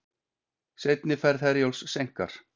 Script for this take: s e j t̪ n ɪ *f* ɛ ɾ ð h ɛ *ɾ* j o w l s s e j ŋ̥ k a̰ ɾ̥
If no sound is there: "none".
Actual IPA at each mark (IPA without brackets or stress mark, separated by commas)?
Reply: f, ɾ